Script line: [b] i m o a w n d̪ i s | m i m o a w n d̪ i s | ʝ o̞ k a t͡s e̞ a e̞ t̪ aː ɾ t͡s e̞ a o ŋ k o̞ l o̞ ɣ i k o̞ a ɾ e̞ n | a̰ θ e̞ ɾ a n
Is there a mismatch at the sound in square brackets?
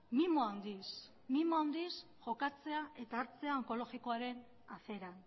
yes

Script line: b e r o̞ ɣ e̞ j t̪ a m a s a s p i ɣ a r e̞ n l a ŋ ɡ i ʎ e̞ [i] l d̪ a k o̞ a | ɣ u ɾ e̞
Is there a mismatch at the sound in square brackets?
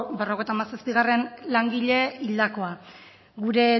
no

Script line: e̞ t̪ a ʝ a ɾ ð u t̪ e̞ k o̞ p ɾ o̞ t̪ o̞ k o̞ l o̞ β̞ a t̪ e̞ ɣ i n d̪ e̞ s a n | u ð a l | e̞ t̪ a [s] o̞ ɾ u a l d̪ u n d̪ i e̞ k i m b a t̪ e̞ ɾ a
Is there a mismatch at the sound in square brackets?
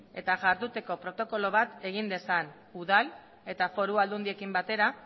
yes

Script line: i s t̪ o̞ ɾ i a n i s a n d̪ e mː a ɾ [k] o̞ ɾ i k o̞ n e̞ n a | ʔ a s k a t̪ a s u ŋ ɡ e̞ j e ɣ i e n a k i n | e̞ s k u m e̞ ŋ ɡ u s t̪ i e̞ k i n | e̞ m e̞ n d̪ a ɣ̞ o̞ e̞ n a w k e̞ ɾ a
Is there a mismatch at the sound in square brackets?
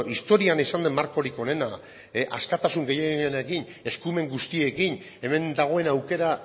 no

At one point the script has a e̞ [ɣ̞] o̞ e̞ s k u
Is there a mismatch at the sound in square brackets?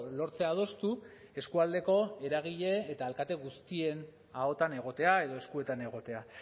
yes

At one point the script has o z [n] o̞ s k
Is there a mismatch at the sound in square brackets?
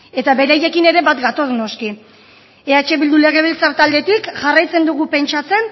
no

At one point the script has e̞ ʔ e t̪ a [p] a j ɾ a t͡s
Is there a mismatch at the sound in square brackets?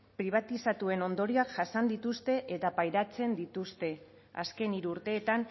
no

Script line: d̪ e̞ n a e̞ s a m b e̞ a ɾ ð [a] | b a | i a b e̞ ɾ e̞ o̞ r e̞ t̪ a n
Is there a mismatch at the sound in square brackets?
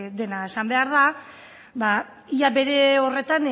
no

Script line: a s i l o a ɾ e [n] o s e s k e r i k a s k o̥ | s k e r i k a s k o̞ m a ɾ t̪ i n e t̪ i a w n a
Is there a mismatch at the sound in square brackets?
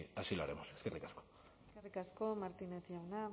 yes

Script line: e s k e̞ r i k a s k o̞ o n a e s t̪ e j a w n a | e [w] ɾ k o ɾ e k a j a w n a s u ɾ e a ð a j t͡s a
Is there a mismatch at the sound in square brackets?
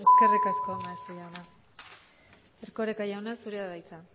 yes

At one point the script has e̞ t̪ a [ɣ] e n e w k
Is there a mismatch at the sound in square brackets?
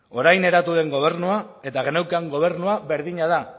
no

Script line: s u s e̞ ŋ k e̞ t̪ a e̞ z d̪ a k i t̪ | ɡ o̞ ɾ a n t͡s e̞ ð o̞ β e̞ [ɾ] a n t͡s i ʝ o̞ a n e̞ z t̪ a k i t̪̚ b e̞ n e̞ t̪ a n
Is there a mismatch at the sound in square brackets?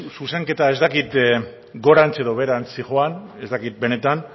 no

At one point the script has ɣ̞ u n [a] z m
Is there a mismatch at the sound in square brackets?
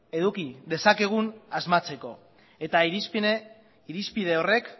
no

